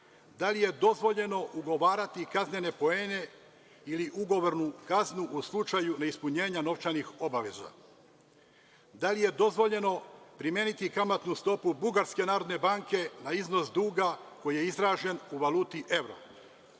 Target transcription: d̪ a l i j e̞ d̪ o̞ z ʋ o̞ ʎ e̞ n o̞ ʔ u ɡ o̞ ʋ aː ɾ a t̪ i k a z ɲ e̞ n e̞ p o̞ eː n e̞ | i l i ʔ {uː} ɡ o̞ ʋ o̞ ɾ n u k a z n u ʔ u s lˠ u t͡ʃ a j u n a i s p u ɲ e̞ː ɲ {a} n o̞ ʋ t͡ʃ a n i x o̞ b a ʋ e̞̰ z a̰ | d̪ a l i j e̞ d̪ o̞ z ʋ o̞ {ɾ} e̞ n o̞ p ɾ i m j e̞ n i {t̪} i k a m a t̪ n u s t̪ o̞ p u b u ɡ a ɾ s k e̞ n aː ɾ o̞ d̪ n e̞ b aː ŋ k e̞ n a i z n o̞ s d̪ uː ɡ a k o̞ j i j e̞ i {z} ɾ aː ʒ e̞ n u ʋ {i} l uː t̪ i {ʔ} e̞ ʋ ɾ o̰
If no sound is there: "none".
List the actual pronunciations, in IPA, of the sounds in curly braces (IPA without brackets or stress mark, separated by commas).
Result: u, a, ʎ, t̪, z, a, ʔ